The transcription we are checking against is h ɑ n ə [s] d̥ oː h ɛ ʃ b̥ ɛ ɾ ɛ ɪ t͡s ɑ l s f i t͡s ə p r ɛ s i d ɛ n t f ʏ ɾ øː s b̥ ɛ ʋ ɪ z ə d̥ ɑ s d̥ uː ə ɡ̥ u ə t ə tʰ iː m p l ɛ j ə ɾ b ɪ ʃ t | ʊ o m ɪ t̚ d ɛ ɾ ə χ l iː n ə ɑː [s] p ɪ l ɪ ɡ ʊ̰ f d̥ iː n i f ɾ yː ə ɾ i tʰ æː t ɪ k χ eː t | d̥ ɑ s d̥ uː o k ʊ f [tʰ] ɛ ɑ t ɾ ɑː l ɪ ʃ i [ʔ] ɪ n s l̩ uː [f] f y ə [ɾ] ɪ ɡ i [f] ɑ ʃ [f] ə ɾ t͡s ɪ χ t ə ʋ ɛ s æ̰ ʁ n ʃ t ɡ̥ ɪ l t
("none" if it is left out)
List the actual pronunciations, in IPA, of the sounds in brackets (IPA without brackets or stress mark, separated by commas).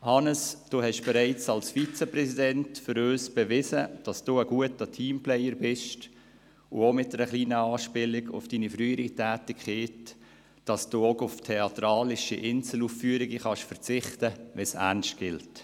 s, ʃ, tʰ, ʔ, f, ɾ, χ, f